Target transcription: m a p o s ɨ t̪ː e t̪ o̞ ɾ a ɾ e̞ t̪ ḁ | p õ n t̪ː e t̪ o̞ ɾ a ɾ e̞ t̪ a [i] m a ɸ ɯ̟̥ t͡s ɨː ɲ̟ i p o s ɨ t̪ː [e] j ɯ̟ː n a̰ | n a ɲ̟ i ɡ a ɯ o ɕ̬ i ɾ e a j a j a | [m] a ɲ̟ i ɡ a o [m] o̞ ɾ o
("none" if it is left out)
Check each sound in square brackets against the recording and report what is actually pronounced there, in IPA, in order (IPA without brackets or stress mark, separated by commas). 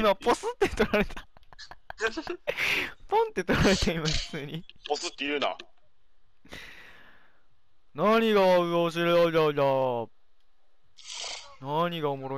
i, e, n, m